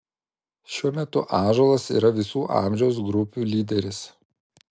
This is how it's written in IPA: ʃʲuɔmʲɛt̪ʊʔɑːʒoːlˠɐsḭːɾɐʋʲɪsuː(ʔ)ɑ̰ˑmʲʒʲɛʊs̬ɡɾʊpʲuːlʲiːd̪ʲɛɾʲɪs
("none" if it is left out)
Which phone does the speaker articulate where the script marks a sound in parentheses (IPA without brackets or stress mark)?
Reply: ʔ